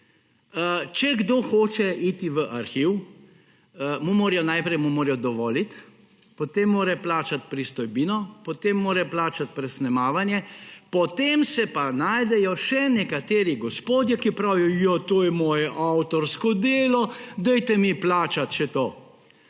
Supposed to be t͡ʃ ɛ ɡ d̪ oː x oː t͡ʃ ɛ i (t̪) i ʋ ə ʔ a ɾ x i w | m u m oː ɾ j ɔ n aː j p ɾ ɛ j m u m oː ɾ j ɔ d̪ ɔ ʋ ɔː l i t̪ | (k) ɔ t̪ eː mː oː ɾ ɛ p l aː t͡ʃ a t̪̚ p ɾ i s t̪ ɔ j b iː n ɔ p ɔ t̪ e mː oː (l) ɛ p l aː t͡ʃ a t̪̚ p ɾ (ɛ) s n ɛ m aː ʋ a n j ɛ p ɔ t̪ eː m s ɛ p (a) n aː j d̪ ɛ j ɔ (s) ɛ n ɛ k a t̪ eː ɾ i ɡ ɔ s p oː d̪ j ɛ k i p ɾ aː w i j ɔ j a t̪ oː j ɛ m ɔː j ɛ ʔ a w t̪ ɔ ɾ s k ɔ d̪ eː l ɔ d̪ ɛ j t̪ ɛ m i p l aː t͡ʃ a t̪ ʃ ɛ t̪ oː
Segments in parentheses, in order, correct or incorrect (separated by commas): correct, incorrect, incorrect, correct, correct, incorrect